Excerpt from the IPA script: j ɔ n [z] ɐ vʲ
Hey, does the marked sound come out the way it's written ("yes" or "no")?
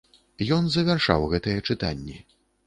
yes